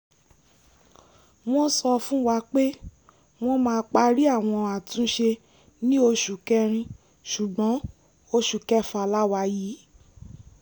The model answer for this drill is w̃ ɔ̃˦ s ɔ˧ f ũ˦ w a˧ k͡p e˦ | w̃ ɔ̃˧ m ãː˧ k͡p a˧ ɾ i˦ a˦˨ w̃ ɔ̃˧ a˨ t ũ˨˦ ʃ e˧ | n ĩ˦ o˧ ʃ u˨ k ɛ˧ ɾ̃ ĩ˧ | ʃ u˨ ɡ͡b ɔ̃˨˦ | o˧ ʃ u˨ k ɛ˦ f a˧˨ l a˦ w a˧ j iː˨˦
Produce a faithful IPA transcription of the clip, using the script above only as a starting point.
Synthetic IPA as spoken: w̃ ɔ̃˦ s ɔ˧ f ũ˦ w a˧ k͡p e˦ | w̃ ɔ̃˧ m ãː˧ k͡p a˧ ɾ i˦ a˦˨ w̃ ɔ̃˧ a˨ t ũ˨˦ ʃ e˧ | n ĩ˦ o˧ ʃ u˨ k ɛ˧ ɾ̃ ĩ˧ | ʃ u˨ ɡ͡b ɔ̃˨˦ | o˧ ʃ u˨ k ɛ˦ f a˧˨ l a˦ w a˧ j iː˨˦